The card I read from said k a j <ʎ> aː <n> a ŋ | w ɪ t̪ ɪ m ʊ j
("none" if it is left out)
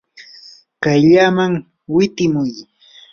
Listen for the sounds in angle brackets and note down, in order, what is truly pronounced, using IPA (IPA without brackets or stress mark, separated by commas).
ʎ, m